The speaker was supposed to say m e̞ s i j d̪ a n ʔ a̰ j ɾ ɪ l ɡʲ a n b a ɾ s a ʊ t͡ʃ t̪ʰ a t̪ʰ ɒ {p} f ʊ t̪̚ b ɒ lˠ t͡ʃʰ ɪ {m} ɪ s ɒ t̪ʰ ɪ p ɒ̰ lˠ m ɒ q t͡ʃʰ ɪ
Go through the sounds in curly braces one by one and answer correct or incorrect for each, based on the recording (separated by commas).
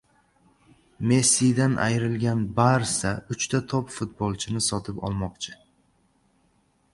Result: correct, incorrect